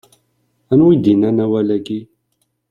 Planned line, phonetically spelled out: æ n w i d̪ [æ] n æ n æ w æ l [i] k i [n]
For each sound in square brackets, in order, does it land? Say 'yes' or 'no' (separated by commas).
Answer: no, no, no